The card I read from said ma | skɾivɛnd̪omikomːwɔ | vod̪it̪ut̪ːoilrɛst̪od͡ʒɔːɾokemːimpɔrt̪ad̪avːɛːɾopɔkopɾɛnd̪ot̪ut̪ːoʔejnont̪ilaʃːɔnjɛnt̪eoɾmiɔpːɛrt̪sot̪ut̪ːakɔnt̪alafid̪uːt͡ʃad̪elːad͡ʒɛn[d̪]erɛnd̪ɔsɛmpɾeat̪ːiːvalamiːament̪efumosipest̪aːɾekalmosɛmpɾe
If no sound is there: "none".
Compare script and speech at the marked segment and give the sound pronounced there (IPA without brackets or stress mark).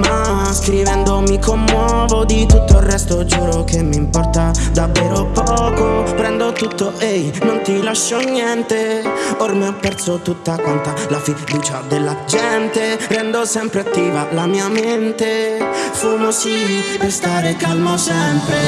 t̪